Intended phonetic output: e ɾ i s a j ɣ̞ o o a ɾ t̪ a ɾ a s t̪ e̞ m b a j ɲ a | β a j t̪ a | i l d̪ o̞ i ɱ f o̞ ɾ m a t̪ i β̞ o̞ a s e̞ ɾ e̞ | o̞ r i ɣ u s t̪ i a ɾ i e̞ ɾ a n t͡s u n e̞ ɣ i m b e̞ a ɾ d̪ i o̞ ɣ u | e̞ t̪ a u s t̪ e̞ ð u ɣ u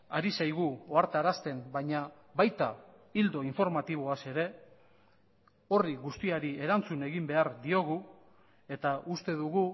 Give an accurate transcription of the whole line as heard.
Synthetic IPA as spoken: a ɾ i s a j ɣ̞ u o a ɾ t̪ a ɾ a s t̪ e̞ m b a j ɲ a | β a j t̪ a | i l d̪ o̞ i ɱ f o̞ ɾ m a t̪ i β̞ o̞ a s e̞ ɾ e̞ | o̞ r i ɣ u s t̪ i a ɾ i e̞ ɾ a n t͡s u n e̞ ɣ i m b e̞ a ɾ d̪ i o̞ ɣ u | e̞ t̪ a u s t̪ e̞ ð u ɣ u